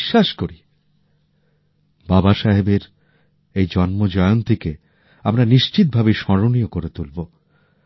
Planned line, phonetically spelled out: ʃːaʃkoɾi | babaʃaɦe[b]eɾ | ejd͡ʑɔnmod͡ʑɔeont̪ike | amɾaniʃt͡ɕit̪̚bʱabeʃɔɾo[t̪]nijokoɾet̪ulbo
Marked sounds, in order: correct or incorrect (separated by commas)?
correct, incorrect